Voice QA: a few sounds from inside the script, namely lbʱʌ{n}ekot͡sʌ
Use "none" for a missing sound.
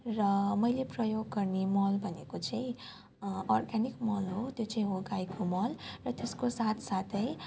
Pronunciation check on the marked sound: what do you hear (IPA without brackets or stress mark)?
n